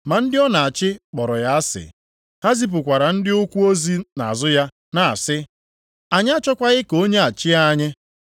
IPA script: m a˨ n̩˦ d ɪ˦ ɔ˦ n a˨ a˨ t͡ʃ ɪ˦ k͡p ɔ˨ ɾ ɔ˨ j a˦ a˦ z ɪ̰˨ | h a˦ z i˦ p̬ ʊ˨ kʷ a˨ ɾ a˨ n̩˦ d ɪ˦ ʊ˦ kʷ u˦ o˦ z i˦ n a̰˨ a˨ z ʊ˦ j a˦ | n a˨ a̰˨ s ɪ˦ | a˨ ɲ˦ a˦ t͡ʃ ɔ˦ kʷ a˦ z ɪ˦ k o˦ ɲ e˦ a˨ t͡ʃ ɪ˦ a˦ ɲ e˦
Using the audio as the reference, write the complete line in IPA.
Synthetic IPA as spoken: m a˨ n̩˦ d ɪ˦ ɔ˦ n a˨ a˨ t͡ʃ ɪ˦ k͡p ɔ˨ ɾ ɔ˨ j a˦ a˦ s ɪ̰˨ | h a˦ z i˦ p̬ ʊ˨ kʷ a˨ ɾ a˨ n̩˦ d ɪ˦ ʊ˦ kʷ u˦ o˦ z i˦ n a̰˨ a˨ z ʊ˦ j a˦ | n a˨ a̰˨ s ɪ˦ | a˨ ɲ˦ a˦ t͡ʃ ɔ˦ kʷ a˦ ɣ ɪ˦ k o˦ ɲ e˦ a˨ t͡ʃ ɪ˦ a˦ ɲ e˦